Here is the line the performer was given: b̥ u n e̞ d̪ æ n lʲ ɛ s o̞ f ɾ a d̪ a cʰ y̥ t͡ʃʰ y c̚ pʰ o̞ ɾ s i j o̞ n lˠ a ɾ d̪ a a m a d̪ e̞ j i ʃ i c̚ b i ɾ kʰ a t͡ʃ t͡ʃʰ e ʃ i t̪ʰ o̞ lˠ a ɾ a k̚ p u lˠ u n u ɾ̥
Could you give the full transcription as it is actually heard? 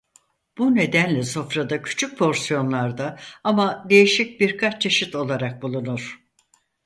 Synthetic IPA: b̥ u n e̞ d̪ æ n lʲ ɛ s o̞ f ɾ a d̪ a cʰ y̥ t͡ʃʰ y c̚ pʰ o̞ ɾ s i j o̞ n lˠ a ɾ d̪ a a m a d̪ e̞ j i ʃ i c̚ b i ɾ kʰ a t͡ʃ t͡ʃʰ e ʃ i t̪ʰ o̞ lˠ a ɾ a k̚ b u lˠ u n u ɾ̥